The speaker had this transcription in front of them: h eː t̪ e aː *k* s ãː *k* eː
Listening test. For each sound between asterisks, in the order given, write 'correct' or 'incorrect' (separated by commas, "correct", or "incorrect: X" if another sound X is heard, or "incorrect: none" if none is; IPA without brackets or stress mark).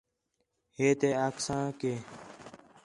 correct, correct